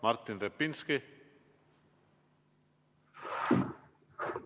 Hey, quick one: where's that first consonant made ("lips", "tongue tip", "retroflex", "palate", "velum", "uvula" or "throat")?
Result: lips